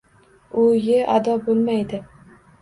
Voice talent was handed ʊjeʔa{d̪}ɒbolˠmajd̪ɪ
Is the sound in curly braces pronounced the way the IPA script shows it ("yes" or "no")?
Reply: yes